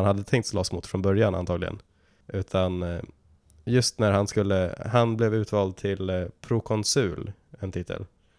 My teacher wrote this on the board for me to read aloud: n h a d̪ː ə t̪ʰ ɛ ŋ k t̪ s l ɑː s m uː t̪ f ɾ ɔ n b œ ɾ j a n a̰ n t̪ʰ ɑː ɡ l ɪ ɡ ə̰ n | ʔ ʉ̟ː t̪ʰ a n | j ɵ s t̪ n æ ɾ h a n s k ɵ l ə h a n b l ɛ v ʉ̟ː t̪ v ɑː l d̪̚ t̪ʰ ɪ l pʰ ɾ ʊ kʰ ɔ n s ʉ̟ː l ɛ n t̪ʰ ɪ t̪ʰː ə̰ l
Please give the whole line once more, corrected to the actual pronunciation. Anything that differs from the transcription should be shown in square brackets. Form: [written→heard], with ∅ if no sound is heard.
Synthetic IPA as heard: n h a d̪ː ə t̪ʰ ɛ ŋ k t̪ s l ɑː s m uː t̪ f ɾ ɔ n b œ ɾ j a n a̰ n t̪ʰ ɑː ɡ l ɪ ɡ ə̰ n | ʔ ʉ̟ː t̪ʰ a n | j ɵ s t̪ n æ ɾ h a n s k ɵ [l→lː] ə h a n b l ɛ v ʉ̟ː t̪ v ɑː l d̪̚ t̪ʰ ɪ l pʰ ɾ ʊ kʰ ɔ n s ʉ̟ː l ɛ n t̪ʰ ɪ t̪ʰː ə̰ l